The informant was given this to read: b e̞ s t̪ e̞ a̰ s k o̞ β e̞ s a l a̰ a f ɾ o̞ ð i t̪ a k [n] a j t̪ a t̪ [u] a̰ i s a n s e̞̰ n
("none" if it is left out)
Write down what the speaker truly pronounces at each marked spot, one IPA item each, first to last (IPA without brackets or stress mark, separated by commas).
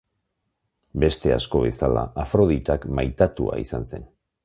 m, u